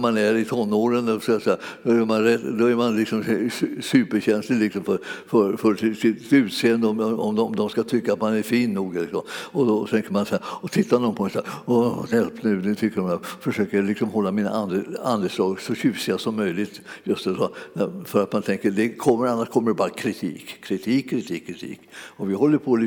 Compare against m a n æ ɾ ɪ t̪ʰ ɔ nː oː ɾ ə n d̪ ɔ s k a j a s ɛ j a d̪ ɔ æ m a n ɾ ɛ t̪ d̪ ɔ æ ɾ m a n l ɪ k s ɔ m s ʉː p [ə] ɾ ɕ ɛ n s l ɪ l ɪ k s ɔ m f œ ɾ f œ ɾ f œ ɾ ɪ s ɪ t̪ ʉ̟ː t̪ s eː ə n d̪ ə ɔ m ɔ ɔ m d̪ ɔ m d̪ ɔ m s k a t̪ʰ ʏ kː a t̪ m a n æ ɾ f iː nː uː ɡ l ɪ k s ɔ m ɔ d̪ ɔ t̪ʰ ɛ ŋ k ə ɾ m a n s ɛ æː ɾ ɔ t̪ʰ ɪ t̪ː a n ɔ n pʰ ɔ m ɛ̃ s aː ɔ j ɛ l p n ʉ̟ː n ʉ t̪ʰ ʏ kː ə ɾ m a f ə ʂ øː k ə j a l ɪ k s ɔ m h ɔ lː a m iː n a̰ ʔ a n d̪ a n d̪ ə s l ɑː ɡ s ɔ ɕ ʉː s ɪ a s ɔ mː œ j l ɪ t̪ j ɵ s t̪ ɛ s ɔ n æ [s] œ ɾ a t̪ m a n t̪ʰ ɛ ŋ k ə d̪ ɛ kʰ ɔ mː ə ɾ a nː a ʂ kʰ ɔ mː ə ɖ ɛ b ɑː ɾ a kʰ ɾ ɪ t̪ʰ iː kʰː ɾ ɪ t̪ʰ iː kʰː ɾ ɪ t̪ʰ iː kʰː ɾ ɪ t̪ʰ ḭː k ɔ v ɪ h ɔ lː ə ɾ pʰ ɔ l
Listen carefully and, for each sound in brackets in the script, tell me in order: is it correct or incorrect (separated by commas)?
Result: correct, incorrect